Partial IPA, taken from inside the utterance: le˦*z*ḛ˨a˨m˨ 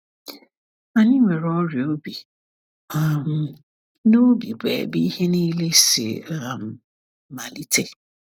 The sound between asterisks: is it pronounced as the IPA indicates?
no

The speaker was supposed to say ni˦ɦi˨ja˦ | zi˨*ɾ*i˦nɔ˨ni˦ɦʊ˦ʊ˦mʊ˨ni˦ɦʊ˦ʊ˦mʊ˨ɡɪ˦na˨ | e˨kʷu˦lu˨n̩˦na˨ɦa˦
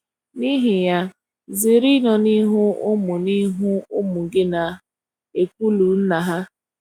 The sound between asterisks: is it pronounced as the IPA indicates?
yes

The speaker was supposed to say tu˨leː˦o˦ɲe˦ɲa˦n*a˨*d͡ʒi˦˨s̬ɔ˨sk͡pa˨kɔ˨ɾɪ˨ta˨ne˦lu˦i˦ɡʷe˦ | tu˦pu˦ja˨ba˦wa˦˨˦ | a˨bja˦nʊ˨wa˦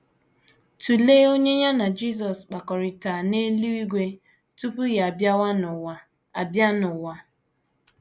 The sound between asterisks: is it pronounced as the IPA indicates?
yes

